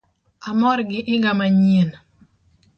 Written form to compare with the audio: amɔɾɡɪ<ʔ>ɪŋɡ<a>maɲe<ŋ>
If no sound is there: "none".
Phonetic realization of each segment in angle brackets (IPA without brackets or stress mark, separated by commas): ʔ, a, n